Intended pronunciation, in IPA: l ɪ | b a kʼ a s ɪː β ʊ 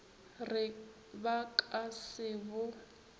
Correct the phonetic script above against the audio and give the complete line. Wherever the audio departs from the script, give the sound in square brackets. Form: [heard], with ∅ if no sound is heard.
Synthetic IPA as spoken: [r] ɪ | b a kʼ a s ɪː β ʊ